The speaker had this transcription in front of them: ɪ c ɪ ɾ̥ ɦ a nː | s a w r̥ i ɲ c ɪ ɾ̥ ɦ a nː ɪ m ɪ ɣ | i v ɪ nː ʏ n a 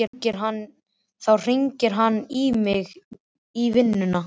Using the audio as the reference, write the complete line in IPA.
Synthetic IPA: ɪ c ɪ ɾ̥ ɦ a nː | θ a w r̥ i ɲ c ɪ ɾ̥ ɦ a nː i m ɪ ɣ | i v ɪ nː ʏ n a